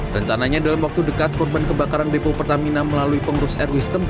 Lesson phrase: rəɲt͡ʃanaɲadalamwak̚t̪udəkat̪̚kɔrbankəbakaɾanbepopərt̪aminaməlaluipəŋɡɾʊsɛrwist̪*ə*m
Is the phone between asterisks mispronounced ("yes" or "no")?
no